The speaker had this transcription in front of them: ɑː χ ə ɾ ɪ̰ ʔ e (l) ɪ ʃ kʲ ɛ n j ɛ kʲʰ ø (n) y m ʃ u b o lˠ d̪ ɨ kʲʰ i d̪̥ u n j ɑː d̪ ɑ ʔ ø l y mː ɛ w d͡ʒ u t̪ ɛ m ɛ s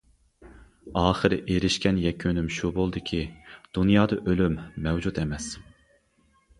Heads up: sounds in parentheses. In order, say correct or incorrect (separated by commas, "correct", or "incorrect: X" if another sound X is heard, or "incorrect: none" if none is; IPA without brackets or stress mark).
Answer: incorrect: ɾ, correct